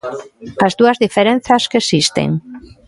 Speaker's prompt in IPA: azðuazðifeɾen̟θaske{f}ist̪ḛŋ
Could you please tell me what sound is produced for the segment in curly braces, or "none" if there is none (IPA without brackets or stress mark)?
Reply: s